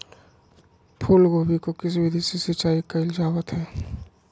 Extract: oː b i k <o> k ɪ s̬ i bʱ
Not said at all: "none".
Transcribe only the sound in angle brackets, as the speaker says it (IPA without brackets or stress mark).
o